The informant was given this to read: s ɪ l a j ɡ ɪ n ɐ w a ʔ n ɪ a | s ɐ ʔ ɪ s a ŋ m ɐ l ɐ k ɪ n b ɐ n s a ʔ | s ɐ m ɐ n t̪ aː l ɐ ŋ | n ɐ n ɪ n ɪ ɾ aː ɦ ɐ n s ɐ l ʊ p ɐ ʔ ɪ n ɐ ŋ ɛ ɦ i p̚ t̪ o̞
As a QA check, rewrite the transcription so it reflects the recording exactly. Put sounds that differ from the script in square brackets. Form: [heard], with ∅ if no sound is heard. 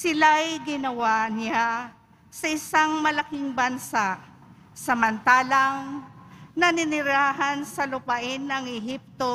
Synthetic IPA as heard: s ɪ l a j ɡ ɪ n ɐ w a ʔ n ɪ a | s ɐ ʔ ɪ s a ŋ m ɐ l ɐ k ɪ [ŋ] b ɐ n s a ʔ | s ɐ m ɐ n t̪ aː l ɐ ŋ | n ɐ n ɪ n ɪ ɾ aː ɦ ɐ n s ɐ l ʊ p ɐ ʔ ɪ n ɐ ŋ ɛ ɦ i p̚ t̪ o̞